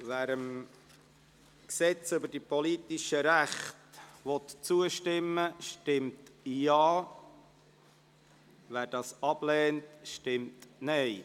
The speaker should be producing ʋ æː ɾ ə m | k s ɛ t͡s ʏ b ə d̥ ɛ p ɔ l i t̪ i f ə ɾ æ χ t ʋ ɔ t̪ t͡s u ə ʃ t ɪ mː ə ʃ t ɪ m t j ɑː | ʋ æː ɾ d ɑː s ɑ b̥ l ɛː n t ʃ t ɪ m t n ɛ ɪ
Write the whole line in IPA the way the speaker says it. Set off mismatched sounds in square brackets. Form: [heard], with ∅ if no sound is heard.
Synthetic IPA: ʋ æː ɾ ə m | k s ɛ t͡s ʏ b ə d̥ [i] p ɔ l i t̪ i [ʃ] ə ɾ æ χ t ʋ ɔ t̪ t͡s u ə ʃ t ɪ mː ə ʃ t ɪ m t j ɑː | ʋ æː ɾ d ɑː s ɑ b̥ l ɛː n t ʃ t ɪ m t n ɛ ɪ